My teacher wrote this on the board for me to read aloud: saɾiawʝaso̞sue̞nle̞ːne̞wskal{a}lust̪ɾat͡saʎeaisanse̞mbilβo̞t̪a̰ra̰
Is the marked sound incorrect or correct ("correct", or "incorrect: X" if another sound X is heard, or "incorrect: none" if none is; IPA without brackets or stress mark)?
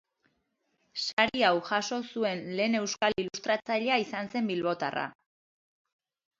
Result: incorrect: i